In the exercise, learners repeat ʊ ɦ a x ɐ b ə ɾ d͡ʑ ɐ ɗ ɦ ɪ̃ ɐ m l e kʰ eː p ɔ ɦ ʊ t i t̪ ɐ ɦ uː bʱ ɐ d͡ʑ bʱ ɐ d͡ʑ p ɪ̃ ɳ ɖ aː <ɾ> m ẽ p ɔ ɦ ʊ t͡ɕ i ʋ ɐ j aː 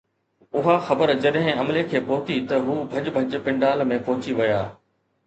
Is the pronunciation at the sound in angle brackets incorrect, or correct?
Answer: incorrect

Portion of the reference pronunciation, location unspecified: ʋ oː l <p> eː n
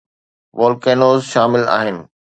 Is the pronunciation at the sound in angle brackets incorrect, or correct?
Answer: incorrect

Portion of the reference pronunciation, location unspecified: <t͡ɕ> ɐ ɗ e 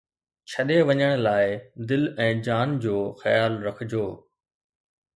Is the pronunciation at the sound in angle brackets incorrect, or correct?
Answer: incorrect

